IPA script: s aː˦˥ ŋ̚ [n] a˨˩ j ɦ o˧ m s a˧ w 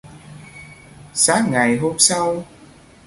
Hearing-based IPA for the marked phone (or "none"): ŋ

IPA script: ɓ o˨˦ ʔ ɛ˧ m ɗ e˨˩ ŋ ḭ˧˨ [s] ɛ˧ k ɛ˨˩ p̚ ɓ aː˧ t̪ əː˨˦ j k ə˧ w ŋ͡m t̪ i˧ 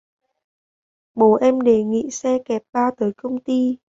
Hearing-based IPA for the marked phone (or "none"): s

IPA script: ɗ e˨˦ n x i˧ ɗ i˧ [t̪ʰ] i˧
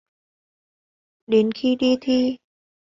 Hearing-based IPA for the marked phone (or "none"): t̪ʰ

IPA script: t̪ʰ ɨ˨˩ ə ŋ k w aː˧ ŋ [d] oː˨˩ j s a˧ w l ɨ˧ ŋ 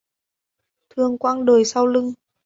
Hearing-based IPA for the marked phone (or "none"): ɗ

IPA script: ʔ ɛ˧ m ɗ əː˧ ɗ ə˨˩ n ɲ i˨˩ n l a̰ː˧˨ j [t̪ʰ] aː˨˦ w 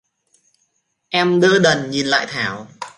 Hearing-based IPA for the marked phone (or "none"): t̪ʰ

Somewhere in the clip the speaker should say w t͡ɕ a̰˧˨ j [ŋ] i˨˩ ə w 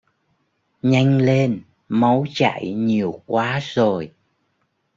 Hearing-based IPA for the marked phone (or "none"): ɲ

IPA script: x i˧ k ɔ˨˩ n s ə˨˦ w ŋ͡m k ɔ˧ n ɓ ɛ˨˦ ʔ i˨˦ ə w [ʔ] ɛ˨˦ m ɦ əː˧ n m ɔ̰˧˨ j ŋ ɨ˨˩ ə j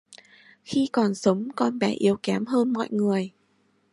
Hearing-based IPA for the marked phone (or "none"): k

